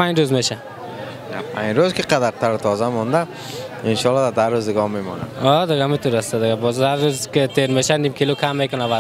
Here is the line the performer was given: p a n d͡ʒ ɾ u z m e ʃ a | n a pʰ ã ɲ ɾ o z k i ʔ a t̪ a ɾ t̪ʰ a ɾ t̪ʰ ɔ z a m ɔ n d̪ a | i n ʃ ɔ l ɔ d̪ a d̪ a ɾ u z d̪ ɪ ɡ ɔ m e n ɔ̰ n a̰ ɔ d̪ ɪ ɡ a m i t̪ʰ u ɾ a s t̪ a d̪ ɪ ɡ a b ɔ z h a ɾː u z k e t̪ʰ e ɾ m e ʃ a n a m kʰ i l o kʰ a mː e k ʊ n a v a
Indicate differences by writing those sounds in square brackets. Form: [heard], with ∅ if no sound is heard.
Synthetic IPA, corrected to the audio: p a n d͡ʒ ɾ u z m e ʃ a | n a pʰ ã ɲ ɾ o z k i [q] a [d̪] a ɾ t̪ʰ a ɾ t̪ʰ ɔ z a m ɔ n d̪ a | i n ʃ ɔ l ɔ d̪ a d̪ a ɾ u z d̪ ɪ ɡ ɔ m e [m] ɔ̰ n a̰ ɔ d̪ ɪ ɡ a m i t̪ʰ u ɾ a s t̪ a d̪ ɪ ɡ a b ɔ z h a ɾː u z k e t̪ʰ e ɾ m e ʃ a n [i] m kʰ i l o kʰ a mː e k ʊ n a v a